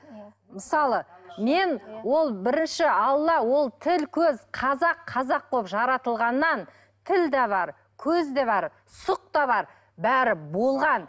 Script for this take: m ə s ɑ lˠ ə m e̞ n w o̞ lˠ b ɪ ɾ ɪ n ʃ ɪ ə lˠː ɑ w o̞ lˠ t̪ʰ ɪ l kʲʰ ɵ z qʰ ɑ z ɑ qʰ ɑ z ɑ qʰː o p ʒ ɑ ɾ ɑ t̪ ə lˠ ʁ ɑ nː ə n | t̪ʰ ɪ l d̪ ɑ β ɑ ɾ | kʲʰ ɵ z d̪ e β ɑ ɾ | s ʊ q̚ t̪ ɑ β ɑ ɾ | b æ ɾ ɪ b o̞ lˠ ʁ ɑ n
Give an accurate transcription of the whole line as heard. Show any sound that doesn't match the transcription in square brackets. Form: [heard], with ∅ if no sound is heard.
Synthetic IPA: m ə s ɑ lˠ ə m e̞ n w o̞ lˠ b ɪ ɾ ɪ n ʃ ɪ [ɑ] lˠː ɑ w o̞ lˠ t̪ʰ ɪ l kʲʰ ɵ z qʰ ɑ z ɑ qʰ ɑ z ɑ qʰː o p ʒ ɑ ɾ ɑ t̪ ə lˠ ʁ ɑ nː [ɑ] n | t̪ʰ ɪ l d̪ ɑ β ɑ ɾ | kʲʰ ɵ z d̪ e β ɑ ɾ | s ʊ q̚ t̪ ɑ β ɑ ɾ | b æ ɾ ɪ b o̞ lˠ ʁ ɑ n